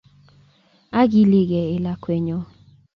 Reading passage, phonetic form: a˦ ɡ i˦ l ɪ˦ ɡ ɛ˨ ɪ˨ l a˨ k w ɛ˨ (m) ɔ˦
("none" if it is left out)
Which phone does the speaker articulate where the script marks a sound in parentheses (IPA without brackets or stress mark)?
ɲ